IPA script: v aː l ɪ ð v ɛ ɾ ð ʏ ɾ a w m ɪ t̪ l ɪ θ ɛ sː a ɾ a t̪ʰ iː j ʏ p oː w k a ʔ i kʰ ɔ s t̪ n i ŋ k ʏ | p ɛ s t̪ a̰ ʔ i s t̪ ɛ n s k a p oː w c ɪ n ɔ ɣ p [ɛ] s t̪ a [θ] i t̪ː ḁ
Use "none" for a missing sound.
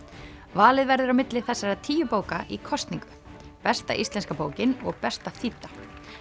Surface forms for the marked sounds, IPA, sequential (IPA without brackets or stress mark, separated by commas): ɛ, θ